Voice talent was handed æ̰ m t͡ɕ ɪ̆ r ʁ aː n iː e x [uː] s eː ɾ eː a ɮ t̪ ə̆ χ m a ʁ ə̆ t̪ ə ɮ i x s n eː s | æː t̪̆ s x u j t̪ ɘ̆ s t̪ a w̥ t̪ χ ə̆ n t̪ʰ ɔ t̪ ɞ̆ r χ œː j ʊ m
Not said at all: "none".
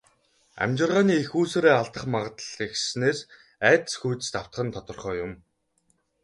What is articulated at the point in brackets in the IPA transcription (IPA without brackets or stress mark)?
uː